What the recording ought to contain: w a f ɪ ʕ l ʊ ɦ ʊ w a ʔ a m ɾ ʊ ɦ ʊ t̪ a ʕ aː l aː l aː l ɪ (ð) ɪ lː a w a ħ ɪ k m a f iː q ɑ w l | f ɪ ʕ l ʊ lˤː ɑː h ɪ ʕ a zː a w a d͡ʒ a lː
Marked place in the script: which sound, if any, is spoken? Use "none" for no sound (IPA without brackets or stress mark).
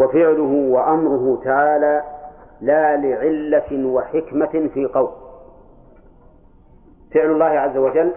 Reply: ʕ